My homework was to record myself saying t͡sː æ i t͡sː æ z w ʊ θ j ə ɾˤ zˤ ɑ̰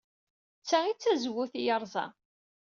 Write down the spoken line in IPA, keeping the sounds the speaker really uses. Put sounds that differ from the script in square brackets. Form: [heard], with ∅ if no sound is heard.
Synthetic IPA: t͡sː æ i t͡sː æ z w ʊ θ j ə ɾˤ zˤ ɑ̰